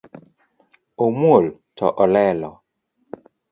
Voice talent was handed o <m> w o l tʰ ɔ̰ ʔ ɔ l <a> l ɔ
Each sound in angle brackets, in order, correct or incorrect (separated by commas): correct, incorrect